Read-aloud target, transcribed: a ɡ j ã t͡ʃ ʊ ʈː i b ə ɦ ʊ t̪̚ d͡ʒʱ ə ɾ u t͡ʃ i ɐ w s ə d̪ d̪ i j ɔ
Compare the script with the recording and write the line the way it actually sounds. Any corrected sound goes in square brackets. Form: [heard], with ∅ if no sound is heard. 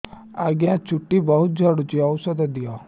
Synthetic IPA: a ɡ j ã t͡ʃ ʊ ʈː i b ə ɦ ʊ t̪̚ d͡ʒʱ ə [ɽ] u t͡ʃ i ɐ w s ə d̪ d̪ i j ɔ

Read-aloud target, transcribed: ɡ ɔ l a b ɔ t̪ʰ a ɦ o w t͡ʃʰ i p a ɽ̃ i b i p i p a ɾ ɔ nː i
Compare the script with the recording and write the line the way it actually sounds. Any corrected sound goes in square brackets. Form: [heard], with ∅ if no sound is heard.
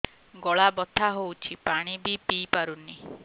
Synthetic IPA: ɡ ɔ [ɭ] a b ɔ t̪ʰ a ɦ o w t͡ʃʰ i p a ɽ̃ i b i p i p a ɾ [u] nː i

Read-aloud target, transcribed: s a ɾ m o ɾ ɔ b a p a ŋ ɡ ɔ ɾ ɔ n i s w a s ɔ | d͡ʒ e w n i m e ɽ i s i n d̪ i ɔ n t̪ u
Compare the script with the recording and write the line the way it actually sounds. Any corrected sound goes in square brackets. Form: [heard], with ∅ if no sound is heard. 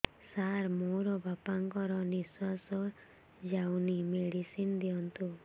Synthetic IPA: s a ɾ m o ɾ ɔ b a p a ŋ [k] ɔ ɾ ɔ n i s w a s ɔ | d͡ʒ [a] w n i m e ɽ i s i n d̪ i ɔ n t̪ u

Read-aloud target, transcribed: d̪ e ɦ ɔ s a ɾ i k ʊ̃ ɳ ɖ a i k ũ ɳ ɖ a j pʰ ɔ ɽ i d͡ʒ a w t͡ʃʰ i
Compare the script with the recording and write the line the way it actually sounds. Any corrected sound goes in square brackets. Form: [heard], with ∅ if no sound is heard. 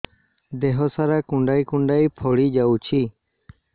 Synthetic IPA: d̪ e ɦ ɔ s a ɾ [a] k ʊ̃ ɳ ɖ a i k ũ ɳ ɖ a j pʰ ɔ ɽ i d͡ʒ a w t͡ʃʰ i

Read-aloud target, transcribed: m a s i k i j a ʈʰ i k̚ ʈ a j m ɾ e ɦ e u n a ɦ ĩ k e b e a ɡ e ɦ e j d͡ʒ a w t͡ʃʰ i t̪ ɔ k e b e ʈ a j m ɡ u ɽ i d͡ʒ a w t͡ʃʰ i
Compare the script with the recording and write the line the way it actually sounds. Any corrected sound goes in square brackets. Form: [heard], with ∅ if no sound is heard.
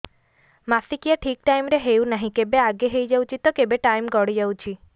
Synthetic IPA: m a s i k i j a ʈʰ i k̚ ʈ a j m ɾ e ɦ e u n a ɦ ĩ k e b e a ɡ e ɦ e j d͡ʒ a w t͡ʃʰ i t̪ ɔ k e b e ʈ a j m ɡ [ɔ] ɽ i d͡ʒ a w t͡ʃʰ i

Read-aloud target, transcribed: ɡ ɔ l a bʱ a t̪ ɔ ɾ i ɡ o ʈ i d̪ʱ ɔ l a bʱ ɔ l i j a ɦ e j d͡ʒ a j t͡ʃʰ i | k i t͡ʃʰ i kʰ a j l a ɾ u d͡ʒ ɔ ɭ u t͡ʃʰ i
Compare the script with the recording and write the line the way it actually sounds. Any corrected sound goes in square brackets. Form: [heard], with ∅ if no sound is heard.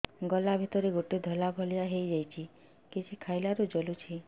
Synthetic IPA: ɡ ɔ l a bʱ [i] t̪ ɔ ɾ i ɡ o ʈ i d̪ʱ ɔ l a bʱ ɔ l i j a ɦ e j d͡ʒ a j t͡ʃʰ i | k i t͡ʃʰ i kʰ a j l a ɾ u d͡ʒ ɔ [l] u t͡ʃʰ i

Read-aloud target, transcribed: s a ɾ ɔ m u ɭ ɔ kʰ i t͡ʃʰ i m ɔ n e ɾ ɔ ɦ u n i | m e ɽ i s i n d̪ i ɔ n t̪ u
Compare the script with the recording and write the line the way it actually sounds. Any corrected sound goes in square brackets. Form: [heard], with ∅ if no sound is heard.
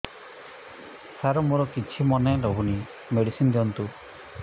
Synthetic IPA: s a ɾ ɔ m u [ɾ] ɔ [k] i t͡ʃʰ i m ɔ n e ɾ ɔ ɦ u n i | m e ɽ i s i n d̪ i ɔ n t̪ u

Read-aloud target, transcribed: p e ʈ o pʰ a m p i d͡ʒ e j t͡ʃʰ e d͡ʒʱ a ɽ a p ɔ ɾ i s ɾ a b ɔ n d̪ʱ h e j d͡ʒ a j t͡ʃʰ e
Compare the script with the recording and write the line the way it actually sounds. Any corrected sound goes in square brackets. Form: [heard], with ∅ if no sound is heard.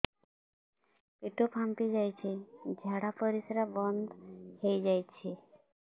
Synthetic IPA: p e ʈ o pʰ a m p i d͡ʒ [a] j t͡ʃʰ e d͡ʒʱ a ɽ a p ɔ ɾ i s ɾ a b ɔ n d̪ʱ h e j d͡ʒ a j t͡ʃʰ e

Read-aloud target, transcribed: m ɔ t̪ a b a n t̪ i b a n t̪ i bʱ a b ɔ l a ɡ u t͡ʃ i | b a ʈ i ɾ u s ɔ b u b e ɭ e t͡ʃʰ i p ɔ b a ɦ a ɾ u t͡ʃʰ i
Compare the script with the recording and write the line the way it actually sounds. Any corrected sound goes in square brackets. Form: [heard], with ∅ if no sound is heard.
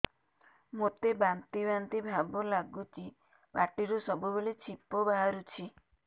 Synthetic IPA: m [o] t̪ [e] b a n t̪ i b a n t̪ i bʱ a b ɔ l a ɡ u t͡ʃ i | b a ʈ i ɾ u s ɔ b u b e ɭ e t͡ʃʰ i p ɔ b a ɦ a ɾ u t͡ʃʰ i

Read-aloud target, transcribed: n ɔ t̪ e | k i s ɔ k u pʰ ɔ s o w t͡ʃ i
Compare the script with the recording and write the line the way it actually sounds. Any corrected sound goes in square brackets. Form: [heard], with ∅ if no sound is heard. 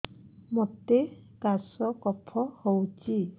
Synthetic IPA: [m] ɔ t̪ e | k [a] s ɔ k [ɔ] pʰ ɔ [h] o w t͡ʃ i

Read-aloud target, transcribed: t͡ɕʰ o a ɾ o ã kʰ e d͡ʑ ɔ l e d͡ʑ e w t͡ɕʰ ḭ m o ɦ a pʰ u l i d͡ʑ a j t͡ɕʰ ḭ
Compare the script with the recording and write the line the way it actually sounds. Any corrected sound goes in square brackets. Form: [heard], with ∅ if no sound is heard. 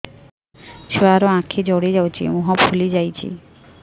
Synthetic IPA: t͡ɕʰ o a ɾ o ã kʰ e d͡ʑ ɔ [ɽ] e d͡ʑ [a] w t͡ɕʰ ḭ m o ɦ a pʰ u l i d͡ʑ a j t͡ɕʰ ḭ

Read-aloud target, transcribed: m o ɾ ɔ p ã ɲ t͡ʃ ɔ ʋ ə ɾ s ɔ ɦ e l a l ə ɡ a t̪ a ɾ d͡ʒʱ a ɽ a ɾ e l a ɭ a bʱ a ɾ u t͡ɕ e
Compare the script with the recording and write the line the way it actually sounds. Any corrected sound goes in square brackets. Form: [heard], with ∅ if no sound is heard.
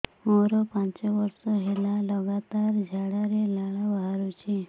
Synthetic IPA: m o ɾ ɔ p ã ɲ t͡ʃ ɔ ʋ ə ɾ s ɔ ɦ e l a l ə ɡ a t̪ a ɾ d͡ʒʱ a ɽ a ɾ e l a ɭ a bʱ a ɾ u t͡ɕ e

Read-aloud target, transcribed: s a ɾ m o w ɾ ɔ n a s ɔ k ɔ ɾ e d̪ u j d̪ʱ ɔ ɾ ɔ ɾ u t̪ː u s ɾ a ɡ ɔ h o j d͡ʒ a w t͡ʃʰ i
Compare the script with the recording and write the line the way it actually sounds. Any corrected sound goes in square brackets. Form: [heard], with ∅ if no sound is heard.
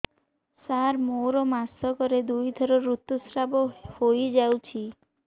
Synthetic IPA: s a ɾ m o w ɾ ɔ [m] a s ɔ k ɔ ɾ e d̪ u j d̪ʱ ɔ ɾ ɔ ɾ u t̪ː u s ɾ a [b] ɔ h o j d͡ʒ a w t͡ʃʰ i

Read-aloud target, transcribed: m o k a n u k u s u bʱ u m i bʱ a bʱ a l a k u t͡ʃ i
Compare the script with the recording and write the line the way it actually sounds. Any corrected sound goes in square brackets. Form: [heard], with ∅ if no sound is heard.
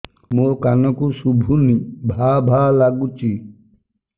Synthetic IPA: m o k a n [ɔ] k u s u bʱ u [n] i bʱ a bʱ a l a [ɡ] u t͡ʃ i

